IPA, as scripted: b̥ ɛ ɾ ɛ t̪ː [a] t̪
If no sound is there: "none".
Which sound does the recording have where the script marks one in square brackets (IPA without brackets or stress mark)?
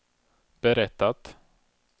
a